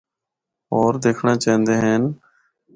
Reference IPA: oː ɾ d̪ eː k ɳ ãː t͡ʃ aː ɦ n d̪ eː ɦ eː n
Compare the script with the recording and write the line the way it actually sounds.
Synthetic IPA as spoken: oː ɾ d̪ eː kʰ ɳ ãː t͡ʃ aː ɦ n d̪ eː ɦ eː n